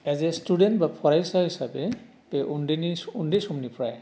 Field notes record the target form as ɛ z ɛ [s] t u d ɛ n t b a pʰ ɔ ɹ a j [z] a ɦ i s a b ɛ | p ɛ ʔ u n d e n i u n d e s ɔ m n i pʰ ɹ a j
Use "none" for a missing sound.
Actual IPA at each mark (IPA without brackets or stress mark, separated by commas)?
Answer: s, s